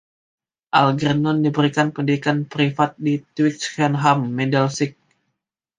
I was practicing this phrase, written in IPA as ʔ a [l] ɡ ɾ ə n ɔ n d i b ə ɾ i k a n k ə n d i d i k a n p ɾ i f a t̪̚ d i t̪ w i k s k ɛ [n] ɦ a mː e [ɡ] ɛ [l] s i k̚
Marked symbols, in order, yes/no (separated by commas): yes, yes, no, yes